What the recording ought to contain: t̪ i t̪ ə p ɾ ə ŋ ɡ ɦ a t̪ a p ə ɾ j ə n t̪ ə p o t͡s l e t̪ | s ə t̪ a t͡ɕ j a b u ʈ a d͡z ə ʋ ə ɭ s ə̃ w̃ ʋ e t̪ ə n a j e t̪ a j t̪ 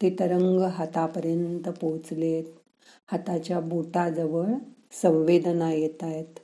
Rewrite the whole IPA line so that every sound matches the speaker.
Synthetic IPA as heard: t̪ i t̪ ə ɾ ə ŋ ɡ ɦ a t̪ a p ə ɾ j ə n t̪ ə p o t͡s l e t̪ | h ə t̪ a t͡ɕ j a b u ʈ a d͡z ə ʋ ə ɭ s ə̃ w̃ ʋ e d̪ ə n a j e t̪ a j t̪